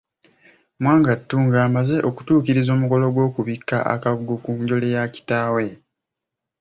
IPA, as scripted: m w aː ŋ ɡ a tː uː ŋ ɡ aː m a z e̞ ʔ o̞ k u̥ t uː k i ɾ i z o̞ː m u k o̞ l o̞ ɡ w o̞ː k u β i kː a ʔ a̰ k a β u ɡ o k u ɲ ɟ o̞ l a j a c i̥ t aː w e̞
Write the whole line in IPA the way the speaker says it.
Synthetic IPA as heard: m w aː ŋ ɡ a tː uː ŋ ɡ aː m a z e̞ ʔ o̞ k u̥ t uː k i ɾ i z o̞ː m u k o̞ l o̞ ɡ w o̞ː k u β i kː a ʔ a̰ k a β u ɡ o k u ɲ ɟ o̞ l e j a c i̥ t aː w e̞